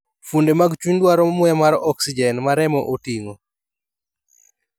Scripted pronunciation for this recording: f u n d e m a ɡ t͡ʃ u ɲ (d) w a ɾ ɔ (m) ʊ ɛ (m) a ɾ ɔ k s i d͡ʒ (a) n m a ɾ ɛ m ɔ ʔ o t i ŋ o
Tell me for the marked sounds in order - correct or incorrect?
correct, correct, correct, incorrect: ɛ

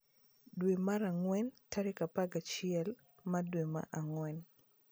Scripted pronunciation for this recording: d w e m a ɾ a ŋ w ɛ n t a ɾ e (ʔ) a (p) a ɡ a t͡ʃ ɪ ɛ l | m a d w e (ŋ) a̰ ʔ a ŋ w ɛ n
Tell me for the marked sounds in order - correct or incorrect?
incorrect: k, correct, incorrect: m

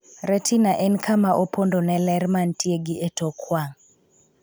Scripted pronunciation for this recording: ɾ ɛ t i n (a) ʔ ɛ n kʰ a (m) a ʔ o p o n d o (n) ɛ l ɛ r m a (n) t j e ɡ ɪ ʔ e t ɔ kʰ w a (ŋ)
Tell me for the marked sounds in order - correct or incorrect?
correct, correct, correct, correct, correct

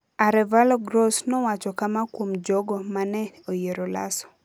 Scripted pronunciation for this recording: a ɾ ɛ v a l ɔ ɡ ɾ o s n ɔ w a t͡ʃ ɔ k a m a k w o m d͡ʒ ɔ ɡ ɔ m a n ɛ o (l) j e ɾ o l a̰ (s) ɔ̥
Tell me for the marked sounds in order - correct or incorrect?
incorrect: none, correct

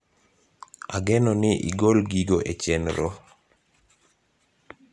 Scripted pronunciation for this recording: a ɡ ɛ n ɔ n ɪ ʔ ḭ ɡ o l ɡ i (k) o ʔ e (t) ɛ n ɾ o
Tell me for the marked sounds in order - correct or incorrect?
incorrect: ɡ, incorrect: t͡ʃ

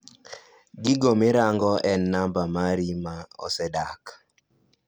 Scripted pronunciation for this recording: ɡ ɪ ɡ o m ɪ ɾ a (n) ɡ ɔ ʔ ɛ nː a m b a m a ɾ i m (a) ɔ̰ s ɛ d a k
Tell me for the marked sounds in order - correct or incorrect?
incorrect: ŋ, correct

